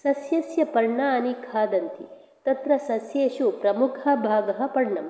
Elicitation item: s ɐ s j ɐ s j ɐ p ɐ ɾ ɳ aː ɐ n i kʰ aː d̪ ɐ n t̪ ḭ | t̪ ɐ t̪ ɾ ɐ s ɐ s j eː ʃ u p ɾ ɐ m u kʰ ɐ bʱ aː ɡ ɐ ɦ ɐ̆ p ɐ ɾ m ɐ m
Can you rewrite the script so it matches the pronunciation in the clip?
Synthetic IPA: s ɐ s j ɐ s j ɐ p ɐ ɾ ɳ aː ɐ n i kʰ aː d̪ ɐ n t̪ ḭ | t̪ ɐ t̪ ɾ ɐ s ɐ s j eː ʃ u p ɾ ɐ m u kʰ ɐ bʱ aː ɡ ɐ ɦ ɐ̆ p ɐ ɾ ɳ ɐ m